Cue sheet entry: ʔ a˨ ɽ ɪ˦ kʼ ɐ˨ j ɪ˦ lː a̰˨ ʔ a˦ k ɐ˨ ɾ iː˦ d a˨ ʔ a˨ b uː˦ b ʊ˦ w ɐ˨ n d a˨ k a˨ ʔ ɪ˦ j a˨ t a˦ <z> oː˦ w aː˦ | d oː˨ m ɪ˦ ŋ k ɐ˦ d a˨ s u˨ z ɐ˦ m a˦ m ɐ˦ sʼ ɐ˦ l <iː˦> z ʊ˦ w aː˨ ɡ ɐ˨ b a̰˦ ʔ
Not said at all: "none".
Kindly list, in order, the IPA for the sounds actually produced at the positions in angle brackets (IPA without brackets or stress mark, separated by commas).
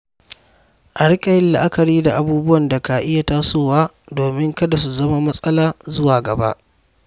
s, aː˦